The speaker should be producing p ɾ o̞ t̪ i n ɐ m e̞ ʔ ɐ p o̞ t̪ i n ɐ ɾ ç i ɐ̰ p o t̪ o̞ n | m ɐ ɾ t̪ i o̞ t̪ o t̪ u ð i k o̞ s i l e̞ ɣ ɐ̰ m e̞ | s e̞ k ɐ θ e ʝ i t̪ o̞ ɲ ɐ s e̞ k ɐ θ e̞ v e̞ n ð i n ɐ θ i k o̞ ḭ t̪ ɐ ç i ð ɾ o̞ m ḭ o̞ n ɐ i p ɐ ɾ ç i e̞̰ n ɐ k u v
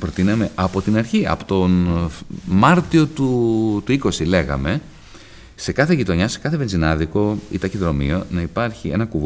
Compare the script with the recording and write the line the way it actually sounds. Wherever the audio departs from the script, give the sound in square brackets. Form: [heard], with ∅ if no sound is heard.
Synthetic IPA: p ɾ o̞ t̪ i n ɐ m e̞ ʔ ɐ p o̞ t̪ i n ɐ ɾ ç i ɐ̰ p o t̪ o̞ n | m ɐ ɾ t̪ i o̞ t̪ [u] t̪ u [∅] i k o̞ s i l e̞ ɣ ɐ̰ m e̞ | s e̞ k ɐ θ e ʝ i t̪ o̞ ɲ ɐ s e̞ k ɐ θ e̞ v e̞ n [z] i n ɐ [ð] i k o̞ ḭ t̪ ɐ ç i ð ɾ o̞ m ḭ o̞ n ɐ i p ɐ ɾ ç i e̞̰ n ɐ k u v